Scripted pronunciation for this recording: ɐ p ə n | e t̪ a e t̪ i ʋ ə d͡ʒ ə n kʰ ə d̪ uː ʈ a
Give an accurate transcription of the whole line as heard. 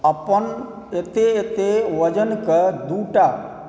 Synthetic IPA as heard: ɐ p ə n | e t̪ e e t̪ e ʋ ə d͡ʒ ə n k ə d̪ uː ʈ a